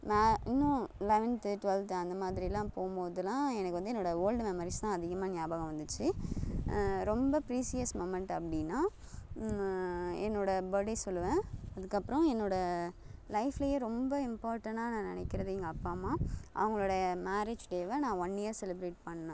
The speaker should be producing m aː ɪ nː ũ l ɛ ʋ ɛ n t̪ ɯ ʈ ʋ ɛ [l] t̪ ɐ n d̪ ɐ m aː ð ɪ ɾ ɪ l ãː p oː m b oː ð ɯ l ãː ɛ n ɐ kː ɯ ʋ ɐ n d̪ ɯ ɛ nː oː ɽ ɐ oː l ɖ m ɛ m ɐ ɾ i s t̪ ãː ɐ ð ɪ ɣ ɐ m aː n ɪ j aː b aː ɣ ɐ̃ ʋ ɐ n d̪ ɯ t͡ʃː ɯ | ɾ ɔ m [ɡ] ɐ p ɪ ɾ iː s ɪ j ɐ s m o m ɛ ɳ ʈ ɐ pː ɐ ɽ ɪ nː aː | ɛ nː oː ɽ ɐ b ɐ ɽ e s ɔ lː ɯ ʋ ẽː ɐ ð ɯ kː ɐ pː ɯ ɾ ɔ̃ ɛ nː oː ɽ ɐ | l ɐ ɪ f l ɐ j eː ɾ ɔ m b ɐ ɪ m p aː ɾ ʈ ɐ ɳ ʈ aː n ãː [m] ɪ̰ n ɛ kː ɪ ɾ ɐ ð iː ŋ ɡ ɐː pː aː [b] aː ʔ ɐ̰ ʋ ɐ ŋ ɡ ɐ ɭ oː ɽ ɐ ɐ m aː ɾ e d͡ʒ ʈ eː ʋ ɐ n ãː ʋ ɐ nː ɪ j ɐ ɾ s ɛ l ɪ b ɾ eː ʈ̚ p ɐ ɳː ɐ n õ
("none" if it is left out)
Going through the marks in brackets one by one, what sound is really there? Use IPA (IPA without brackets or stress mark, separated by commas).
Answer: l, b, n, m